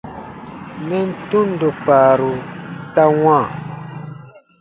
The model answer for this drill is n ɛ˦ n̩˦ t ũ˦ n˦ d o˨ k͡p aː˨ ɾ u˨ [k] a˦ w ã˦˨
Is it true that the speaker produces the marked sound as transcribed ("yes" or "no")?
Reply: no